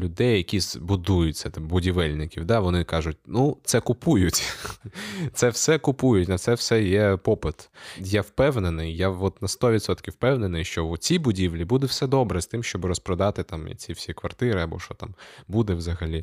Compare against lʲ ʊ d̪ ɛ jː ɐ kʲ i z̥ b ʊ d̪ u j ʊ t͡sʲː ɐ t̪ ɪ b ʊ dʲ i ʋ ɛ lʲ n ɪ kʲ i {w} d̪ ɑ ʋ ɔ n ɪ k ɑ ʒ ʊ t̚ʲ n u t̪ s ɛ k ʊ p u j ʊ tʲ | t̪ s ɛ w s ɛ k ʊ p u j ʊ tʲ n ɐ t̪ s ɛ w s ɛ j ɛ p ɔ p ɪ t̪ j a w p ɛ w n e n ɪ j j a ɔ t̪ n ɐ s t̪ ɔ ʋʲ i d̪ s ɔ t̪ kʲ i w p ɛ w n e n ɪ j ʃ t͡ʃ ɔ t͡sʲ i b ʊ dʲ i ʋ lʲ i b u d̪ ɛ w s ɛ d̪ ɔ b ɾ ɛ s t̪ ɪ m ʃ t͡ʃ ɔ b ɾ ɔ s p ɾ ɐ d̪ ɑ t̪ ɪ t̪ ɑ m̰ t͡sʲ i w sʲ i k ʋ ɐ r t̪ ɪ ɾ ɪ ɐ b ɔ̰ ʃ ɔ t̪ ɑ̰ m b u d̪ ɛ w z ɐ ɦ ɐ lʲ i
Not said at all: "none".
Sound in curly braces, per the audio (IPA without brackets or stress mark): w